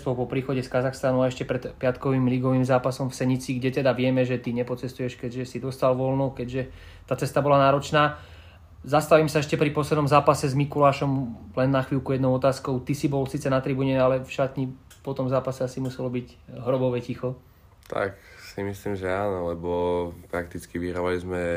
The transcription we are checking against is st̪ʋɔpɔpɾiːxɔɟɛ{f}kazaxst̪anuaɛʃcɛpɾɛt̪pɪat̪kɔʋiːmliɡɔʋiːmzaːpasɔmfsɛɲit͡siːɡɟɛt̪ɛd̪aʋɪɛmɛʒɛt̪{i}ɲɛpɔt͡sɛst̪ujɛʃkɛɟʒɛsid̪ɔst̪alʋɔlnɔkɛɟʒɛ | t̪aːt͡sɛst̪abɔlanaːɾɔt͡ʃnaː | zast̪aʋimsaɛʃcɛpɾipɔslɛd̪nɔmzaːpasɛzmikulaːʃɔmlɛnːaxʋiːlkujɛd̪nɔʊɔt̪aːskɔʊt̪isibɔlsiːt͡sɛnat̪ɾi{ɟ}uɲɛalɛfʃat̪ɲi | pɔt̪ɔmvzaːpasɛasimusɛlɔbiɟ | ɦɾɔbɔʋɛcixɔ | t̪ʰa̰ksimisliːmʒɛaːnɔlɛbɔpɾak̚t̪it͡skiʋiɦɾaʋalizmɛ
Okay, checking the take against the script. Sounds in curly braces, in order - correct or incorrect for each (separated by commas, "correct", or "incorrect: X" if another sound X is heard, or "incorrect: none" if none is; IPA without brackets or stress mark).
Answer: incorrect: s, correct, incorrect: b